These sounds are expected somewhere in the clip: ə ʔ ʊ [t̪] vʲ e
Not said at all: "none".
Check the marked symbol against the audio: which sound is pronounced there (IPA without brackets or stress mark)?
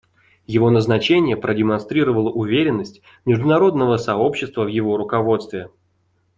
none